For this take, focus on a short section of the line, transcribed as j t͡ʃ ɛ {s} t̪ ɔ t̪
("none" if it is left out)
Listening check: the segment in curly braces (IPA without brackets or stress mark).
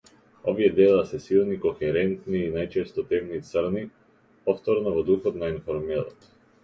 s